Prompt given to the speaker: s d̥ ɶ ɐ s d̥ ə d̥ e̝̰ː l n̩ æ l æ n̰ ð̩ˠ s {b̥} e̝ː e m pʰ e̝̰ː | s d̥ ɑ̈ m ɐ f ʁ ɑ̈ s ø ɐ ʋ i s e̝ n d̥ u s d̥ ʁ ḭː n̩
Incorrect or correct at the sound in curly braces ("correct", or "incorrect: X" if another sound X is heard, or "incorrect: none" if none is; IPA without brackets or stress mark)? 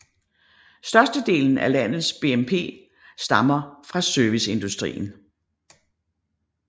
correct